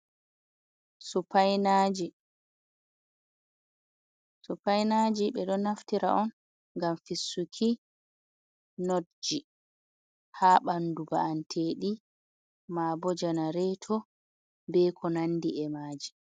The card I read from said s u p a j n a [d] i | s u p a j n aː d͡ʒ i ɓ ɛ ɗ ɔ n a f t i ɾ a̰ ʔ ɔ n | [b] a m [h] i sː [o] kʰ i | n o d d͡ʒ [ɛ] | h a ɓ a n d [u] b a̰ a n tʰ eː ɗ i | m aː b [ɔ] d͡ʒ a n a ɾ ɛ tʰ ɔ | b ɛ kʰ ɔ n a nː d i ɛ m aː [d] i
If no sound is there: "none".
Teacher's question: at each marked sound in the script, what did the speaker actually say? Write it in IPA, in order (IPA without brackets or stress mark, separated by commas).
d͡ʒ, ɡ, f, u, i, u, ɔ, d͡ʒ